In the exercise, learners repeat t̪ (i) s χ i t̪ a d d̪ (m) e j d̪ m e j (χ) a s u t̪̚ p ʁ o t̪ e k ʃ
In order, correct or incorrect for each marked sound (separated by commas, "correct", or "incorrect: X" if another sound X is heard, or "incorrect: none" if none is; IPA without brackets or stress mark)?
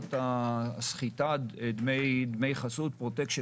incorrect: a, correct, correct